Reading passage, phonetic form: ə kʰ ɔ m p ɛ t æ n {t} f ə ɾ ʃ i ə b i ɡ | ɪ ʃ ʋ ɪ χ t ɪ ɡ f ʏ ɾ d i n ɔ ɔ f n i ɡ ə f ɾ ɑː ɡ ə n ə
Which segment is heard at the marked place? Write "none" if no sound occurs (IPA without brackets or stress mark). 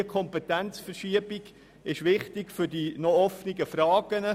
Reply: t͡s